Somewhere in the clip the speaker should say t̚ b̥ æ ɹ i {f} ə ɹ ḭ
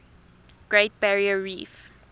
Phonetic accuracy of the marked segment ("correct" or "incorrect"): incorrect